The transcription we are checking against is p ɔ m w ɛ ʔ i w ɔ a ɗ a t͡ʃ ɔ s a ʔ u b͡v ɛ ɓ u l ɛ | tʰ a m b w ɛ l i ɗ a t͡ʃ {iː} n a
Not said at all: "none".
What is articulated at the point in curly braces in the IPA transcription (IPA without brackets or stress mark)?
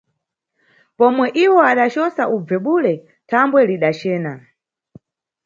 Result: ɛː